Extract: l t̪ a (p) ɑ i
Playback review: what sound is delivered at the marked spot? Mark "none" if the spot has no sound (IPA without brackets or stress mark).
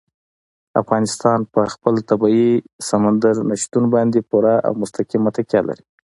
b